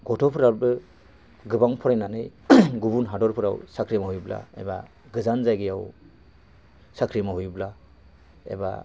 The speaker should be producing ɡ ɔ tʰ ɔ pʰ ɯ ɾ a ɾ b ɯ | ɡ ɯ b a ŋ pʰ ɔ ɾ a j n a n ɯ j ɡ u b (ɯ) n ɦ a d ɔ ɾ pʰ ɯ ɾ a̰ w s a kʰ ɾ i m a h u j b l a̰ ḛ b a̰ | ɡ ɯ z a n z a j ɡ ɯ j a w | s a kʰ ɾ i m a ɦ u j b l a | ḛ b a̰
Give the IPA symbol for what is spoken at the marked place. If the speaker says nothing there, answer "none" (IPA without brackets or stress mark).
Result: u